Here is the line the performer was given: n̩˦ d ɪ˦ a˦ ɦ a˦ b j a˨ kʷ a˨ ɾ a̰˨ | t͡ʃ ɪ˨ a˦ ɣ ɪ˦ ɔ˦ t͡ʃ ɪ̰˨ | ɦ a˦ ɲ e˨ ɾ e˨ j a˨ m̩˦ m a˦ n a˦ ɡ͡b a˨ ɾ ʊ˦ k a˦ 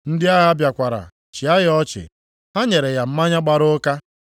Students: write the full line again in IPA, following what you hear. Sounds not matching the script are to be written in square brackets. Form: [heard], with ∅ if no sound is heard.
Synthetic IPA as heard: n̩˦ d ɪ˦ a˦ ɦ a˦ b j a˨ kʷ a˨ ɾ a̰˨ | t͡ʃ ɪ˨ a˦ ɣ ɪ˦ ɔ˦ t͡ʃ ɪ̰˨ | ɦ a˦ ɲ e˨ ɾ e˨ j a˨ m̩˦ m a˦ [ɲ] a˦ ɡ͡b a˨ ɾ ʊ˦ k a˦